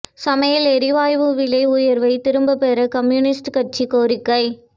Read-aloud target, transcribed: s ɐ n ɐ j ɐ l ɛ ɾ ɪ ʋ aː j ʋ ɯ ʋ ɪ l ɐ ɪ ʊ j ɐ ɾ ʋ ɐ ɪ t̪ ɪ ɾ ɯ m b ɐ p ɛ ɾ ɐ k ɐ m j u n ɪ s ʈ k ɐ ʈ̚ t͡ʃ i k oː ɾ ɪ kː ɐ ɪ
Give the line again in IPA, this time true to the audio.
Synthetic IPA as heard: s ɐ m ɐ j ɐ l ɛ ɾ ɪ ʋ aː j ʋ ɯ ʋ ɪ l ɐ ɪ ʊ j ɐ ɾ ʋ ɐ ɪ t̪ ɪ ɾ ɯ m b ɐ p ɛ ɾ ɐ k ɐ m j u n ɪ s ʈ k ɐ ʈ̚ t͡ʃ i k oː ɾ ɪ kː ɐ ɪ